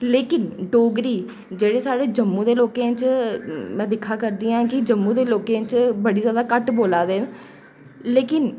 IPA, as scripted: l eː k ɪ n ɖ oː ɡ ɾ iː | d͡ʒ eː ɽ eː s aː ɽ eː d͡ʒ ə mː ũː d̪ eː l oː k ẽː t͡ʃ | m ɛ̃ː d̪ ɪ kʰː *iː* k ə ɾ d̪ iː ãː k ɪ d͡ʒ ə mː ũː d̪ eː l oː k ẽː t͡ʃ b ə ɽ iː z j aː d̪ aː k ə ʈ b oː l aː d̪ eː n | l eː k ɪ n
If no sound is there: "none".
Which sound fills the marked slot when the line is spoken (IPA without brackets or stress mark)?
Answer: aː